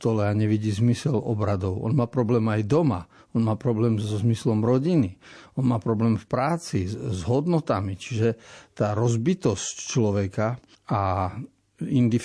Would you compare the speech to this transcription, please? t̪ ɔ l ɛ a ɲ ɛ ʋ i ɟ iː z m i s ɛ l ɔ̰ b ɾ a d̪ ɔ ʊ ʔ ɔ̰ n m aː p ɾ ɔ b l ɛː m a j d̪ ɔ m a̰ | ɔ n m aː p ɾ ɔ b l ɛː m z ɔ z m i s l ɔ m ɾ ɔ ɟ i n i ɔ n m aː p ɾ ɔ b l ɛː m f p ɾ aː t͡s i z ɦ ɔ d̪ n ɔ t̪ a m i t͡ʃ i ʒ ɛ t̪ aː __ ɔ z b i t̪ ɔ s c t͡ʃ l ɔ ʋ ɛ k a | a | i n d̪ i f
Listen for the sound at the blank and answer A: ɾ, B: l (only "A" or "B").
A